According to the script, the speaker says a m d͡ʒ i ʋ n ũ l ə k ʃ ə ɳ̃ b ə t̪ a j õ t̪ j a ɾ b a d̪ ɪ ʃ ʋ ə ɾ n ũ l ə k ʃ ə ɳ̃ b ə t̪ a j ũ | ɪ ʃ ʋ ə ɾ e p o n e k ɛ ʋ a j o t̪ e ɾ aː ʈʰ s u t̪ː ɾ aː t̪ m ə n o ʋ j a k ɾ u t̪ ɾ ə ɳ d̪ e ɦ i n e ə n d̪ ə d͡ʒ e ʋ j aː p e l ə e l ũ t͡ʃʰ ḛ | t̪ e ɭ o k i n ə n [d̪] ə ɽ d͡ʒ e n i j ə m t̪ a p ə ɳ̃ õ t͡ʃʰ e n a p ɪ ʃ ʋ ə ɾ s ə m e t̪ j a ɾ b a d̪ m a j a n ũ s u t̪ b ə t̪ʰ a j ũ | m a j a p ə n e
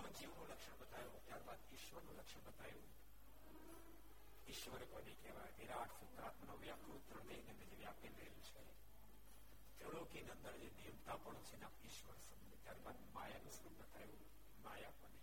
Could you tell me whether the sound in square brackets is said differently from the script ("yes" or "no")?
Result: no